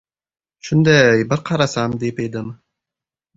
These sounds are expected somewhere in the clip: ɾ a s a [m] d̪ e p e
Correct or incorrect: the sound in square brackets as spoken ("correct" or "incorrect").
correct